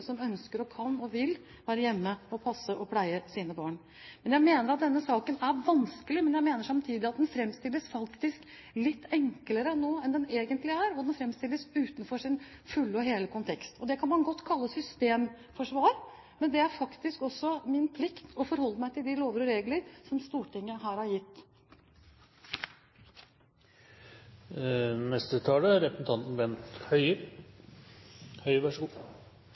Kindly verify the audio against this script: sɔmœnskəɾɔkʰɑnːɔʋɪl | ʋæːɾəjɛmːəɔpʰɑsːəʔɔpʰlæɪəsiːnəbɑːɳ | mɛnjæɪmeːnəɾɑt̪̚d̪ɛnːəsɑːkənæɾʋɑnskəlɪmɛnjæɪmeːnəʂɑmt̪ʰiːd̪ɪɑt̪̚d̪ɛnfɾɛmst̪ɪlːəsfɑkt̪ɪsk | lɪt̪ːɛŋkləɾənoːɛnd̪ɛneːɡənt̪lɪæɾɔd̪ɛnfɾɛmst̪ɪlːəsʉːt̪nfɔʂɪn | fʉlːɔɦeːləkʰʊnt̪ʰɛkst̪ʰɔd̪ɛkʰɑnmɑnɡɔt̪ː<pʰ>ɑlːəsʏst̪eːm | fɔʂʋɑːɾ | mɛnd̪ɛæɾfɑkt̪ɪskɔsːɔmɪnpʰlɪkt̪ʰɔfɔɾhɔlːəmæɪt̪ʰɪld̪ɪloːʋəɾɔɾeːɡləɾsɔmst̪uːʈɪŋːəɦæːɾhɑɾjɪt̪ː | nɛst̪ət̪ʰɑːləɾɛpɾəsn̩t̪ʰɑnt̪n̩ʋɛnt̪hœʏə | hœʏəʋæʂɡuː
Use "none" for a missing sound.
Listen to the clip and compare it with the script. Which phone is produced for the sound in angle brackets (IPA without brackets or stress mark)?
kʰ